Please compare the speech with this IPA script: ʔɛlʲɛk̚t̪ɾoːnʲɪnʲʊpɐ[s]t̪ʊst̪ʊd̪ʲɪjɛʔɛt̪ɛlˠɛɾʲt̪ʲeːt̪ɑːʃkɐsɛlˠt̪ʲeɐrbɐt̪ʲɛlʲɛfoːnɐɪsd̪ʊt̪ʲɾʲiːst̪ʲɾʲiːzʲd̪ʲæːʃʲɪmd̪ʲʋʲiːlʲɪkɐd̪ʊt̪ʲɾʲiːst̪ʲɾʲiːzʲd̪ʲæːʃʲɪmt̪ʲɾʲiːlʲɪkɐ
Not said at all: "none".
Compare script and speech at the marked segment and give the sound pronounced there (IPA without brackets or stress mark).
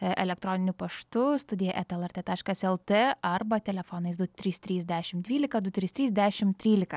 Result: ʃ